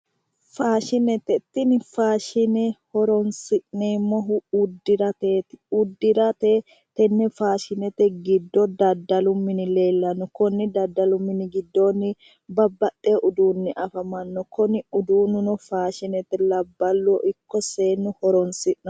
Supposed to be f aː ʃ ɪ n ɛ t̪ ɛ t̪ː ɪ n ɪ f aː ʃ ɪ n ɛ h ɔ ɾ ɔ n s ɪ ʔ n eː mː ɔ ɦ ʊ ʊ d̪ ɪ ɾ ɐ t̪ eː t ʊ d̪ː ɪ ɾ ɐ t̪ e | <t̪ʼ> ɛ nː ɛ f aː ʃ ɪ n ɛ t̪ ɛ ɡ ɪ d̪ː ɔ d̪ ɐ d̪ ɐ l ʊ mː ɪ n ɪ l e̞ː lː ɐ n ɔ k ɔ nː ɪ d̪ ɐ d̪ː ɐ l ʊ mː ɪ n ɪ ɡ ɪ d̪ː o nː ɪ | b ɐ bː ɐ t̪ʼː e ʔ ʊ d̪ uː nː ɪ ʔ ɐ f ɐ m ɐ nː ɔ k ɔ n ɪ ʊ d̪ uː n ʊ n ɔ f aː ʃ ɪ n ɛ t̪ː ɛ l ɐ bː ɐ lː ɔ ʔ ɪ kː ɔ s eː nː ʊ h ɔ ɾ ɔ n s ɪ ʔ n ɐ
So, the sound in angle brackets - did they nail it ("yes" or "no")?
no